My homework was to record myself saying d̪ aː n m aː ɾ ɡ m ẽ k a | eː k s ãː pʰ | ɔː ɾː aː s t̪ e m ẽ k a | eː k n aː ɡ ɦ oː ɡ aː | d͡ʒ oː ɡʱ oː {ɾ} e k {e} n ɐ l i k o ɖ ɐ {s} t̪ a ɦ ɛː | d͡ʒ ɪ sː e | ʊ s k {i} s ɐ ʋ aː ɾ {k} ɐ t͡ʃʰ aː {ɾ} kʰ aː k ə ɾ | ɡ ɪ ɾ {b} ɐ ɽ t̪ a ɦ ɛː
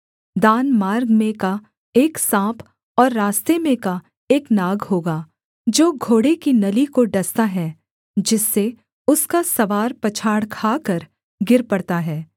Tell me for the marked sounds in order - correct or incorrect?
incorrect: ɽ, incorrect: i, correct, incorrect: a, incorrect: p, incorrect: ɽ, incorrect: p

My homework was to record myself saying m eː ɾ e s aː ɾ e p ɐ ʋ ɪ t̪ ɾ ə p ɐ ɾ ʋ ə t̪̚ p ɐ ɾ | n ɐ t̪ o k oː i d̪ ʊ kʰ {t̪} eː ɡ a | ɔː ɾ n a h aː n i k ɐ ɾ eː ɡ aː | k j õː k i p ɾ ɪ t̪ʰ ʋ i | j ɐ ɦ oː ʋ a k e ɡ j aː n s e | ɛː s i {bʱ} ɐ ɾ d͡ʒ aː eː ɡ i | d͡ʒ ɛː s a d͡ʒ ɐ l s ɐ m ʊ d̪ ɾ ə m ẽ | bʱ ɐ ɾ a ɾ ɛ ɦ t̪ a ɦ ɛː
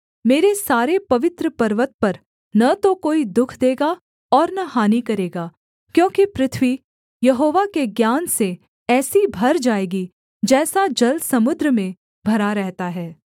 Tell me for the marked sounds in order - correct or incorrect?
incorrect: d̪, correct

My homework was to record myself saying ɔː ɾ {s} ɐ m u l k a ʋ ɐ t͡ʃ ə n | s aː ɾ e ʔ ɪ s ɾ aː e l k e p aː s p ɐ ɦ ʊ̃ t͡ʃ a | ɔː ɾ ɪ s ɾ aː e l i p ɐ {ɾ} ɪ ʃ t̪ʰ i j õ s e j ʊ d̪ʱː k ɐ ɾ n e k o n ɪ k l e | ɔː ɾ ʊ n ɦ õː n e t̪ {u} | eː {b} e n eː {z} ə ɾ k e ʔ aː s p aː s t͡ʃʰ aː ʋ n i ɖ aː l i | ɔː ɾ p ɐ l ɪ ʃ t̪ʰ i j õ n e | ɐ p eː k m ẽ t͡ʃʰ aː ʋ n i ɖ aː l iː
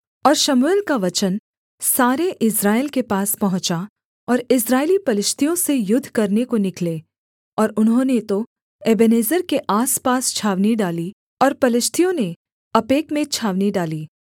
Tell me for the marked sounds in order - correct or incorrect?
incorrect: ʃ, incorrect: l, incorrect: o, correct, correct

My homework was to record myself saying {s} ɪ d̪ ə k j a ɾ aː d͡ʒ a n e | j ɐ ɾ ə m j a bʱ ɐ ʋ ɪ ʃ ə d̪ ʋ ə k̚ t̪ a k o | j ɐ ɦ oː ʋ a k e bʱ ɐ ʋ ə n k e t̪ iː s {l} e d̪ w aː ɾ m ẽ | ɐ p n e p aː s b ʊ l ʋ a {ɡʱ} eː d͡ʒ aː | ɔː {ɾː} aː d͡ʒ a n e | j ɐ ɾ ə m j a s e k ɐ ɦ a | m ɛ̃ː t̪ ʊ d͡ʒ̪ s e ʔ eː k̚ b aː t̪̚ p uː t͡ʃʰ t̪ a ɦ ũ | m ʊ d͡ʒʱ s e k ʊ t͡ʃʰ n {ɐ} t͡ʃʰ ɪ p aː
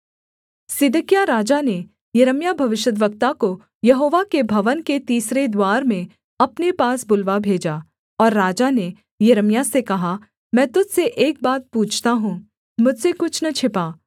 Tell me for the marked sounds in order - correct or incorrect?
correct, incorrect: ɾ, incorrect: bʱ, correct, correct

